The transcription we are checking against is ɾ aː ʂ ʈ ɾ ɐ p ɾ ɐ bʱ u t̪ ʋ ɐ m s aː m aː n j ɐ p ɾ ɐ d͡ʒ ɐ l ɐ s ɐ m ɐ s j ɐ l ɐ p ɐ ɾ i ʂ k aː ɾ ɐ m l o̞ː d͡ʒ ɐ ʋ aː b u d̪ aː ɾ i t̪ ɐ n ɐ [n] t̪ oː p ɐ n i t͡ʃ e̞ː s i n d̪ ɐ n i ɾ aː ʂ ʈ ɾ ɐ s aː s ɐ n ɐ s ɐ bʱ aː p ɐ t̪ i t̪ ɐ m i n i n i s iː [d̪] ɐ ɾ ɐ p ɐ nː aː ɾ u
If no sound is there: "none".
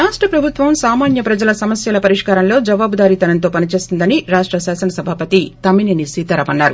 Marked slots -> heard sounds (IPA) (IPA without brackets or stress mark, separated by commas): n, t̪